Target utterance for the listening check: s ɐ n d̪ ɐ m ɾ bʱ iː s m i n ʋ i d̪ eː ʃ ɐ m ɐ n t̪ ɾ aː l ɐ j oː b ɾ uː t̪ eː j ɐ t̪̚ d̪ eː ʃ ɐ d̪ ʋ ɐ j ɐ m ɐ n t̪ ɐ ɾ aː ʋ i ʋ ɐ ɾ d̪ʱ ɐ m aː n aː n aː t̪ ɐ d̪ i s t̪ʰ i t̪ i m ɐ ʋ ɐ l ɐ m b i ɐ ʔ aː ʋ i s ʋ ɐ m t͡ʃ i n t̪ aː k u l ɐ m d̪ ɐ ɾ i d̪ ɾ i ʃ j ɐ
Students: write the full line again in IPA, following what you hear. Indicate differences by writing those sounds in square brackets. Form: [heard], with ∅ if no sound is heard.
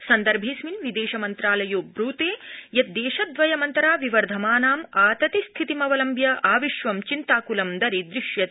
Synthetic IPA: s ɐ n d̪ ɐ [∅] ɾ bʱ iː s m i n ʋ i d̪ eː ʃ ɐ m ɐ n t̪ ɾ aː l ɐ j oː b ɾ uː t̪ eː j ɐ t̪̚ d̪ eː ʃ ɐ d̪ ʋ ɐ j ɐ m ɐ n t̪ ɐ ɾ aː ʋ i ʋ ɐ ɾ d̪ʱ ɐ m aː n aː [m] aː t̪ ɐ [t̪] i s t̪ʰ i t̪ i m ɐ ʋ ɐ l ɐ m b [j] ɐ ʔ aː ʋ i [ʃ] ʋ ɐ m t͡ʃ i n t̪ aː k u l ɐ m d̪ ɐ ɾ i d̪ ɾ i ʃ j ɐ